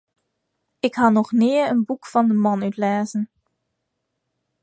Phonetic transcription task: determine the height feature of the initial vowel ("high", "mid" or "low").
high